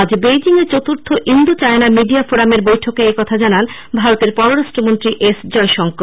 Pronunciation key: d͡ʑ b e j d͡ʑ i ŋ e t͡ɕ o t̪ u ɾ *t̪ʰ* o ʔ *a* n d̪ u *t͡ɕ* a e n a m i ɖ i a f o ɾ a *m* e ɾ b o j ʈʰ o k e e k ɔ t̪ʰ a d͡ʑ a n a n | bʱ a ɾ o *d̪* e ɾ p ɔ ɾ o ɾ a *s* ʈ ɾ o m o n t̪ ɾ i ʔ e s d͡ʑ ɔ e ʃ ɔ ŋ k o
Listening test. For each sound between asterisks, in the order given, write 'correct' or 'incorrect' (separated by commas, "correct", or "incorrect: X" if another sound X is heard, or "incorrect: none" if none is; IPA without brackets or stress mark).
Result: correct, incorrect: i, correct, correct, incorrect: t̪, incorrect: ʃ